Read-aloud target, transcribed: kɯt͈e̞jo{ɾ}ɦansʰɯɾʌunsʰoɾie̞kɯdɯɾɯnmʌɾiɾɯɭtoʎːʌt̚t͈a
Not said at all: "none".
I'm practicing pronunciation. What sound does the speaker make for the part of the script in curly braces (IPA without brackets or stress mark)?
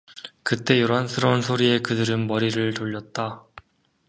ɾ